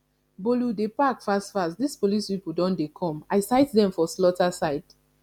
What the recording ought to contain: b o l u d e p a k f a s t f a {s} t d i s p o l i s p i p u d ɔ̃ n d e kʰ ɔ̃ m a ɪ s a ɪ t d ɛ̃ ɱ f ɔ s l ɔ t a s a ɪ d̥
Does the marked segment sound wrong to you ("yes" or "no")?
no